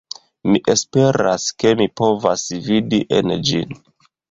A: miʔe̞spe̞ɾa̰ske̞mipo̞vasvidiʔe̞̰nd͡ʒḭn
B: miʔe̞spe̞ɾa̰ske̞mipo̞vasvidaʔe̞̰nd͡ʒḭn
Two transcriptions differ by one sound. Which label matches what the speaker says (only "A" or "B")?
A